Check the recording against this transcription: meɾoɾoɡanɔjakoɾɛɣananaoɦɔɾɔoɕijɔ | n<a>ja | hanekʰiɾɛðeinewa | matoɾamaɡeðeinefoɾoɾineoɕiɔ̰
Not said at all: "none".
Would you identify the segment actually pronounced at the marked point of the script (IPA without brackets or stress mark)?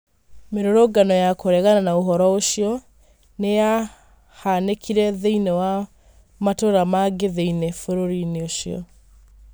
e